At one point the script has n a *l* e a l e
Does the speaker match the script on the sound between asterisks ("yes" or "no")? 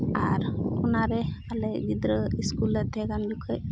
no